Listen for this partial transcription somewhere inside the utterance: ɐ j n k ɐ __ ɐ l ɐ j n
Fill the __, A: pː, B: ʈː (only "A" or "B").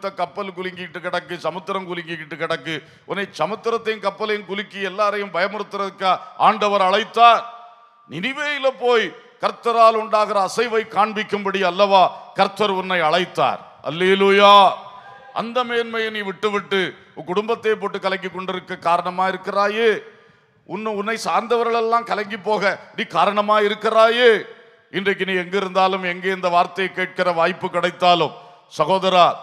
A